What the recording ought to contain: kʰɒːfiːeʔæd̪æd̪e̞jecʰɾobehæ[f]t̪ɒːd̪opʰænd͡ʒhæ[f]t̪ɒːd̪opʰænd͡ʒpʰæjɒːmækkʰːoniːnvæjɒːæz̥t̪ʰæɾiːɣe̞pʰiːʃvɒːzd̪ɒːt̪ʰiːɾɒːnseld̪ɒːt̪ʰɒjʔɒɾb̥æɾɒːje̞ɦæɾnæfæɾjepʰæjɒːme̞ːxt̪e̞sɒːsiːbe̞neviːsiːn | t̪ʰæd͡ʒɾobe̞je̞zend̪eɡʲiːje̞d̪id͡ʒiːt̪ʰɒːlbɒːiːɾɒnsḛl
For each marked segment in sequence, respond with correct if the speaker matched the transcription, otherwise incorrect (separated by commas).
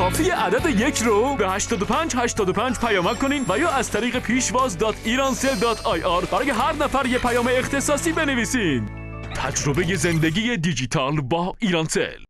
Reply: incorrect, incorrect